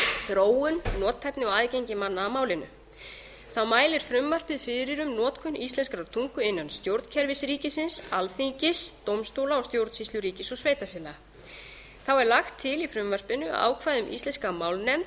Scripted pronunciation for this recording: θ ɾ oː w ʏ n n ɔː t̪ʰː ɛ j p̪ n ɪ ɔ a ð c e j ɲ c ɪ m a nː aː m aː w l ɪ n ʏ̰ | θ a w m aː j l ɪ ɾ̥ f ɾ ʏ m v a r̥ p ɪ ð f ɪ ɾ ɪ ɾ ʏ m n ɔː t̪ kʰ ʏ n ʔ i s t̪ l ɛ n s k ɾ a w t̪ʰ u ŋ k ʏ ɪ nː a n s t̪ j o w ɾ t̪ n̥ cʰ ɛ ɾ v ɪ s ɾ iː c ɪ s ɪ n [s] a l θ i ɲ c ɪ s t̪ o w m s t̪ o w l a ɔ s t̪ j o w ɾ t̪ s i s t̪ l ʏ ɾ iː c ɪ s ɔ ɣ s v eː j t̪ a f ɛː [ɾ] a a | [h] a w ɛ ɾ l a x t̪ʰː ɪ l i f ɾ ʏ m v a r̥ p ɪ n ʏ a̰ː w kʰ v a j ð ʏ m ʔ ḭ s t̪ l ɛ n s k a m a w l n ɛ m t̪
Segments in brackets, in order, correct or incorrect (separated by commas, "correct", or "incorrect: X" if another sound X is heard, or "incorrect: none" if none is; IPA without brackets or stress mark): correct, incorrect: l, incorrect: θ